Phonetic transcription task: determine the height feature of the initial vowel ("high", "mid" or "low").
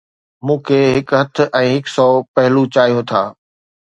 high